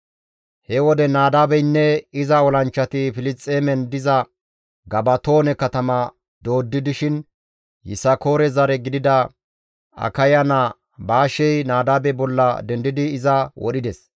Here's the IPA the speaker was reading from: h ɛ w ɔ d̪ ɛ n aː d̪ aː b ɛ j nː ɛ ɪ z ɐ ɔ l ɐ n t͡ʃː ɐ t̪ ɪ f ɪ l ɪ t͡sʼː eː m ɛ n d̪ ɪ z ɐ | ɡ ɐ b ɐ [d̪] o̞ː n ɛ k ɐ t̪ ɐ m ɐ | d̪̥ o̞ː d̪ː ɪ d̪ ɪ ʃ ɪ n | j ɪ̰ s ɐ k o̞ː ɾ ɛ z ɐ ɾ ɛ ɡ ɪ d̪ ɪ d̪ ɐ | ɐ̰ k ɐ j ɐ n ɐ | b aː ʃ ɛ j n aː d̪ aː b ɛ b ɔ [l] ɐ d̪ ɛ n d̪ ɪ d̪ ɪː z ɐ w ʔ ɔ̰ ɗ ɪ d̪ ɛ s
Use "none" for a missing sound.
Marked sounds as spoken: t̪, lː

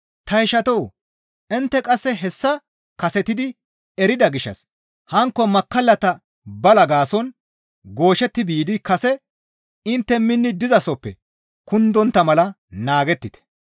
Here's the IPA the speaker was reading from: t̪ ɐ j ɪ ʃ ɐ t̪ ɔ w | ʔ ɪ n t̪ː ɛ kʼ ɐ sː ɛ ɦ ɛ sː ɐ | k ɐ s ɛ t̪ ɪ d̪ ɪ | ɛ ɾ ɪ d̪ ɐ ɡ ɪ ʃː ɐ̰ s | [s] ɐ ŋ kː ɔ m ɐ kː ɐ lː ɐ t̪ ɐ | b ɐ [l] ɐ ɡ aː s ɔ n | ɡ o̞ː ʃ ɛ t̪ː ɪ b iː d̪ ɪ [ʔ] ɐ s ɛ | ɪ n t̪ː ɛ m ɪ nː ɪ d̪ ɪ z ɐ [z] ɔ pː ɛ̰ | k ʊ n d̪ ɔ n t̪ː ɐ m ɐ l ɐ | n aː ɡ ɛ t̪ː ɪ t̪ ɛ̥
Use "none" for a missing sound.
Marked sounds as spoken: h, l, k, s

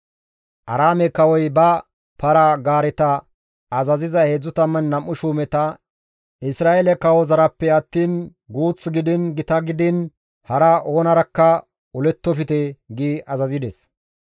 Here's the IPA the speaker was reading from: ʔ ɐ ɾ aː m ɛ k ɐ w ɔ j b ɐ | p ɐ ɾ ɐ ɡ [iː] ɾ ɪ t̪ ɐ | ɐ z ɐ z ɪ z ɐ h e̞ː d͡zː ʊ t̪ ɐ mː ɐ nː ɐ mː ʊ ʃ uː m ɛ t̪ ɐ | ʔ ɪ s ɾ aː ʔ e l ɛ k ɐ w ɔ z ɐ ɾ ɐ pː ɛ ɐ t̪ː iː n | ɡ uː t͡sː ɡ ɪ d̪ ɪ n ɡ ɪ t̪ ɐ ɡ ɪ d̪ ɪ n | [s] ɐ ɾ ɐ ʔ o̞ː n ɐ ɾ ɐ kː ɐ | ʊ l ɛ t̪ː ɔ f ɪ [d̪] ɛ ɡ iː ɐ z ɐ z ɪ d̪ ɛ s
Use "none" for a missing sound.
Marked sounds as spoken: aː, h, t̪

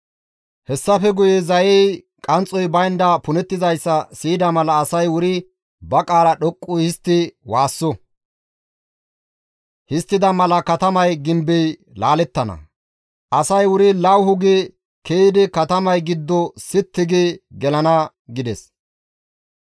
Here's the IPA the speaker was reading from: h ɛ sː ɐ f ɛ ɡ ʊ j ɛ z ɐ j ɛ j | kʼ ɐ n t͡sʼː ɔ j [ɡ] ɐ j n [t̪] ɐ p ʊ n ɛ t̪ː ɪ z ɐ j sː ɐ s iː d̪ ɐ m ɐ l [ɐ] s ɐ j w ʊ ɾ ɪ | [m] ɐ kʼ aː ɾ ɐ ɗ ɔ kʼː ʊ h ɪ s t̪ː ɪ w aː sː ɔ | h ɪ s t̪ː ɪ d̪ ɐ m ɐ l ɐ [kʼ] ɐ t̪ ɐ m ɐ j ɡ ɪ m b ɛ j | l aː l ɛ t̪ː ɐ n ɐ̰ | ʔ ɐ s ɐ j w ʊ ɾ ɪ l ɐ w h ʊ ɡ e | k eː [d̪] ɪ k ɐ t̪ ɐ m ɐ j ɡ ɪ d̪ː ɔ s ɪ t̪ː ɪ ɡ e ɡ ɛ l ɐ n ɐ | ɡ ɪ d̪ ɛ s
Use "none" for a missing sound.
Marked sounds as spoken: b, d̪, ɐː, b, k, d̪

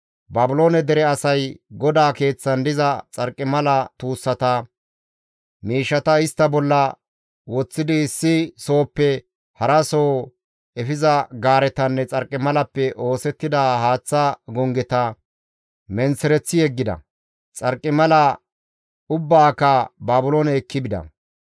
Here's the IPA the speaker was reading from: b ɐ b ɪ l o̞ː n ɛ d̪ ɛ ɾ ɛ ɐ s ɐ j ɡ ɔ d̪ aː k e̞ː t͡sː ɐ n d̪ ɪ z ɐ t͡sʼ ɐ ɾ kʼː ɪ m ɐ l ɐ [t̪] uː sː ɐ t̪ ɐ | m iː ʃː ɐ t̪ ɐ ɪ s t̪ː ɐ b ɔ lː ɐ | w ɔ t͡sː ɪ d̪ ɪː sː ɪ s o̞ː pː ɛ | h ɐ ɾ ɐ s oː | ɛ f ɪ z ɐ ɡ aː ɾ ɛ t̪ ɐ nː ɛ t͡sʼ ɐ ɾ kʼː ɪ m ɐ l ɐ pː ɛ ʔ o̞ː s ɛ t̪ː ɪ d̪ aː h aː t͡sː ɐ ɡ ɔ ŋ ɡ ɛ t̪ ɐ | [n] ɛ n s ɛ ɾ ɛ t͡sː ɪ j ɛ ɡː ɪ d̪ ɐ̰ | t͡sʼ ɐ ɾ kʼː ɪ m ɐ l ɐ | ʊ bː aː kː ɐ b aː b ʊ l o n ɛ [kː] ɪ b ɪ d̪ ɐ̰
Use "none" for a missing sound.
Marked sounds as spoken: t̪, m, kː

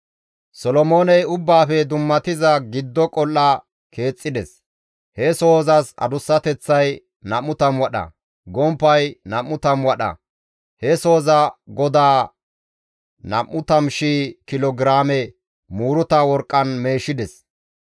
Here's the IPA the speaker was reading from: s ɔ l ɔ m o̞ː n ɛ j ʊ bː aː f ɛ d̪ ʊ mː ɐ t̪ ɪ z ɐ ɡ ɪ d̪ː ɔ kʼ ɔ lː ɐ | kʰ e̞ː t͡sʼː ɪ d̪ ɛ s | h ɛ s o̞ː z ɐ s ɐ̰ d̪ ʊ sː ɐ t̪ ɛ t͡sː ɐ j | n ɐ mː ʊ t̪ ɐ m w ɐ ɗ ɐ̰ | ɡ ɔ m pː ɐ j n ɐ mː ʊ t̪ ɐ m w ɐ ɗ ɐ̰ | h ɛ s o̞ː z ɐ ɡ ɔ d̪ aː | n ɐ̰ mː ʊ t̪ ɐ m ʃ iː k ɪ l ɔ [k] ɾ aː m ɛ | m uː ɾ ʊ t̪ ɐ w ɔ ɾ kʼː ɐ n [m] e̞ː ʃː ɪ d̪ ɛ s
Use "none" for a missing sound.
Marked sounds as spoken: ɡ, m

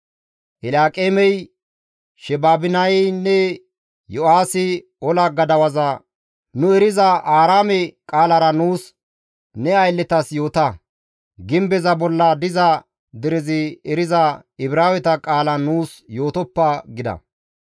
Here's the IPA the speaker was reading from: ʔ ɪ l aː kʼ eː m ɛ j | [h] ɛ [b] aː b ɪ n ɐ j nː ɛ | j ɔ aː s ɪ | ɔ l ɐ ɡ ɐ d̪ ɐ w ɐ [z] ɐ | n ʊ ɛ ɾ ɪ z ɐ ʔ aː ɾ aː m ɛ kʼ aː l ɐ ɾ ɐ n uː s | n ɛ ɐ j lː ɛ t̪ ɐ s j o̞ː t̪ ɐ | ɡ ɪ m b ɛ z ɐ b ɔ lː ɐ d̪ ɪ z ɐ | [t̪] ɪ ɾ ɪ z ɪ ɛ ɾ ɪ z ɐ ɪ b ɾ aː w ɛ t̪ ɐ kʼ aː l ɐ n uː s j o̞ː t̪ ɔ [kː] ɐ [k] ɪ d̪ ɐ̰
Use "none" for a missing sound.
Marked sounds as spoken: ʃ, b, z, d̪, pː, ɡ

